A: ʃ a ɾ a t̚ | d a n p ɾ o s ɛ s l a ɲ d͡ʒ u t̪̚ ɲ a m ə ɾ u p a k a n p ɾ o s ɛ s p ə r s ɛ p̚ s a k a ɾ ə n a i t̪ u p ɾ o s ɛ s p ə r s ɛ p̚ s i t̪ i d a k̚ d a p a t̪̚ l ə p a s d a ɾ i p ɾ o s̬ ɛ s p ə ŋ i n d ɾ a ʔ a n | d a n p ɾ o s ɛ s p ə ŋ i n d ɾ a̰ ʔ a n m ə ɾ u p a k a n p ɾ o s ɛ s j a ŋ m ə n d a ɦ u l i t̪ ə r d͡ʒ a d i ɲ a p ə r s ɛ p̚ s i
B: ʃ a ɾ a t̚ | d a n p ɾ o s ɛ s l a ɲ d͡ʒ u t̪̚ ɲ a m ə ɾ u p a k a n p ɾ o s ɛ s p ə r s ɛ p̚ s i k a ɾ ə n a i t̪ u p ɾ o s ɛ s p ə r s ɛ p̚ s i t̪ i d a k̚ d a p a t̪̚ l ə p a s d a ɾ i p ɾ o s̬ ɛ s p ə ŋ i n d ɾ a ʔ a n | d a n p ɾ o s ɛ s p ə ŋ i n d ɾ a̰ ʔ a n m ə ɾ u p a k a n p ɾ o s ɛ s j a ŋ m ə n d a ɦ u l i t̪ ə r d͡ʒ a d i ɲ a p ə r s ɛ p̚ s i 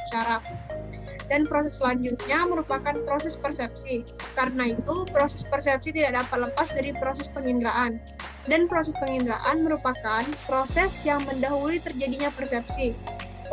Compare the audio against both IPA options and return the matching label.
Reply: B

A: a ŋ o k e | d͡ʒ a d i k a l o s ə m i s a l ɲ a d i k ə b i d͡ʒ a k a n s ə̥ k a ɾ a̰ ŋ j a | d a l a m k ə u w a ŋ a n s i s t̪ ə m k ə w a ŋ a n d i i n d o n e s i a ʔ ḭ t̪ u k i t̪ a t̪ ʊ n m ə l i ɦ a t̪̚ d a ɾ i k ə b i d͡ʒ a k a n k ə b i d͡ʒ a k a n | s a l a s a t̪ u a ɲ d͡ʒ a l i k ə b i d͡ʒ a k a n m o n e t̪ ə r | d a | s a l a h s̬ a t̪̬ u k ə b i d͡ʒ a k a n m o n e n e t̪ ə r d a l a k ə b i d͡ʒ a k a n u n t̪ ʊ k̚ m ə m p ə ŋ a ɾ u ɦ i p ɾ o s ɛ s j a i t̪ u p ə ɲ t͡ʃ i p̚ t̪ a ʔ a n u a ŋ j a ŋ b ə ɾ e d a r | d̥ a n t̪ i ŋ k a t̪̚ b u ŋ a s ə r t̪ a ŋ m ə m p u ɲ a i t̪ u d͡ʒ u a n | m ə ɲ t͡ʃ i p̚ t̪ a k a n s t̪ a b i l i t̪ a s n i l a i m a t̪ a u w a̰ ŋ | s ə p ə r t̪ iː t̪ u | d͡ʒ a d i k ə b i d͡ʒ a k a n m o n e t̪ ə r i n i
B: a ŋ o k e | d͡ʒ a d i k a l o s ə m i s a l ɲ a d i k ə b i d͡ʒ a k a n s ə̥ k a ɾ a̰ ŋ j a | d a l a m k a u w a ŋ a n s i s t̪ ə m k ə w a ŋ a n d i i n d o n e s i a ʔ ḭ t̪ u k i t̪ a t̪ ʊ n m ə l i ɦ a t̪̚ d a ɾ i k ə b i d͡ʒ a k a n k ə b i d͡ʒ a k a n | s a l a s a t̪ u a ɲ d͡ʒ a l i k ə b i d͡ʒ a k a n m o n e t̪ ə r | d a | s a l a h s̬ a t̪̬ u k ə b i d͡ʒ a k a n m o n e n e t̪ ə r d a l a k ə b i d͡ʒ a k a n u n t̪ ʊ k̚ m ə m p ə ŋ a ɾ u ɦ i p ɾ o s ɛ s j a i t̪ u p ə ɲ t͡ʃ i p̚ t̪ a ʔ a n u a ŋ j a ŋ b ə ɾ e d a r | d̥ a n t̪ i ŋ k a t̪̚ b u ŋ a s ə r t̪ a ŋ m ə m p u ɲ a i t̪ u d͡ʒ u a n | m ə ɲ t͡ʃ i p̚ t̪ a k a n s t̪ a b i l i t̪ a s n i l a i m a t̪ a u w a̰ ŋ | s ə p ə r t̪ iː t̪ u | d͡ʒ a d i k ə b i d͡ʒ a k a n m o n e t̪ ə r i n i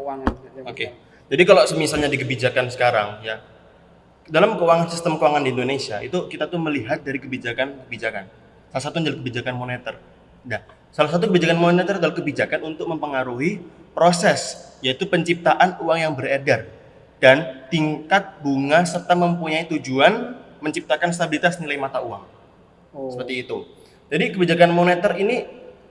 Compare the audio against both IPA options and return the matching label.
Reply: A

